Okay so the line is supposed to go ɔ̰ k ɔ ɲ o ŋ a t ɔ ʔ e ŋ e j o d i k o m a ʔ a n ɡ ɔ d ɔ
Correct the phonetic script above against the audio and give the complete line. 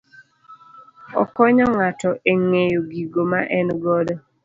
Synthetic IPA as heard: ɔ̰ k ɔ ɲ ɔ ŋ a t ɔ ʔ e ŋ e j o ɡ i ɡ o m a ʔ ɛ n ɡ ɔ d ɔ